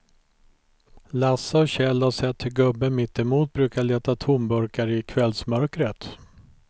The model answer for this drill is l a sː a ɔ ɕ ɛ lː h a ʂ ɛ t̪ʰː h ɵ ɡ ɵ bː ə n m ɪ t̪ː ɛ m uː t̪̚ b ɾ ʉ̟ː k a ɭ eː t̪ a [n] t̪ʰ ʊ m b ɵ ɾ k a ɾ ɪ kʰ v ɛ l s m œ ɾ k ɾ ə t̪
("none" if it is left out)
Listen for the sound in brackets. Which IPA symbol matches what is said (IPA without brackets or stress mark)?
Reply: none